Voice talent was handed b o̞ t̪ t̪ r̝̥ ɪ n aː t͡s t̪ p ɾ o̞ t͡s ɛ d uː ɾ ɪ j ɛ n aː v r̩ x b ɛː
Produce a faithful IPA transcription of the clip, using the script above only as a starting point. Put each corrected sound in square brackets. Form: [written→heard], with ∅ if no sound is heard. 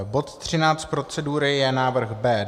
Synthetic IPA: b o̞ t̪ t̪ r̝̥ ɪ n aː t͡s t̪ p ɾ o̞ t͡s ɛ d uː ɾ ɪ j ɛ n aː v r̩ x b ɛː